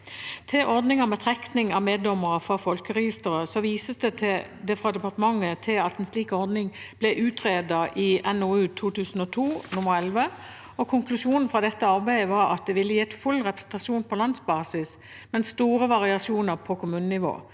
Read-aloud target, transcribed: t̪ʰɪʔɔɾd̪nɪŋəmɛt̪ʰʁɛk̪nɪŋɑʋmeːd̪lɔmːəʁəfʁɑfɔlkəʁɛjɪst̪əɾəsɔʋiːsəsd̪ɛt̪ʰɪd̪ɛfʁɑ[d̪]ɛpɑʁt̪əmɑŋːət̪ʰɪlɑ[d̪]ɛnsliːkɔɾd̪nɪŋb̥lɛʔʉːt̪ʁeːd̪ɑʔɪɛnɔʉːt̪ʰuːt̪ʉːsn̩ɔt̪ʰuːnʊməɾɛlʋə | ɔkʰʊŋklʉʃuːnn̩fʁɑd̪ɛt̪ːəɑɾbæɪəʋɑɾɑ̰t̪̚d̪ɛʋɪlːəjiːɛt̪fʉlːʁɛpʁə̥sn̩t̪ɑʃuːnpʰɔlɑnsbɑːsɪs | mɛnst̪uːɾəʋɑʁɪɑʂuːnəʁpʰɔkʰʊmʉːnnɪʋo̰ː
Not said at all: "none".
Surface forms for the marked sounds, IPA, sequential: d̪, t̪

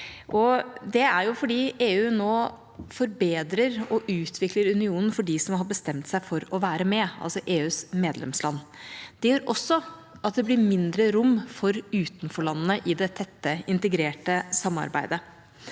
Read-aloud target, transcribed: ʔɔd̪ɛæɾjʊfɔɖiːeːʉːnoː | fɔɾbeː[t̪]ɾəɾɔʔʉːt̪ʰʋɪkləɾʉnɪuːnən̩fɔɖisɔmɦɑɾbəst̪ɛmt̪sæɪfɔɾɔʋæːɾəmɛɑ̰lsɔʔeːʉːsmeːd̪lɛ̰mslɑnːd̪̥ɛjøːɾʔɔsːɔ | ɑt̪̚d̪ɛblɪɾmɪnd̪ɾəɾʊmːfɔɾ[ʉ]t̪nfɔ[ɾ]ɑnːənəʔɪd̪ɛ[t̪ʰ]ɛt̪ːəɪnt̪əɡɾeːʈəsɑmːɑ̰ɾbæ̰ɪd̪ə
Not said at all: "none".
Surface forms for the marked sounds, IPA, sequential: d̪, ʉː, ɭ, t̪ʰ

